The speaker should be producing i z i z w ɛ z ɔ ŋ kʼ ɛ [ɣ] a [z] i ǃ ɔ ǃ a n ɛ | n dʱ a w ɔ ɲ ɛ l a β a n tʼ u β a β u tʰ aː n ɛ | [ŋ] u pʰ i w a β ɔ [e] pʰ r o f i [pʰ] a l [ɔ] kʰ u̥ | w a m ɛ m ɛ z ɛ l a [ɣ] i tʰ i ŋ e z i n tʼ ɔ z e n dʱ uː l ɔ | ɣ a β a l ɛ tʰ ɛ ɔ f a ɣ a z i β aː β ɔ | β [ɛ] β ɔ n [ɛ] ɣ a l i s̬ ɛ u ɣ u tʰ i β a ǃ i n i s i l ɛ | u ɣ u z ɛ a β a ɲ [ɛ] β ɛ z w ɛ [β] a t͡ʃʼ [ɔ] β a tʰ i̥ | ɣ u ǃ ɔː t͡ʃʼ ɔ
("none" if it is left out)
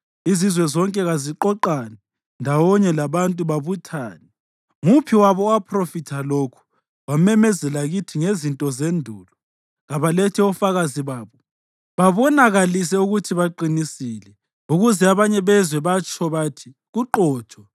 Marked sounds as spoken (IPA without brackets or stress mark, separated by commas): ɣ, z, ŋ, a, tʰ, o, ɣ, a, a, ɛ, β, ɔ